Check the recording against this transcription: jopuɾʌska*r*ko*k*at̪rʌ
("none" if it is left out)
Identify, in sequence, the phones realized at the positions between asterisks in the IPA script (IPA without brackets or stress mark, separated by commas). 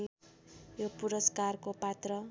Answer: r, p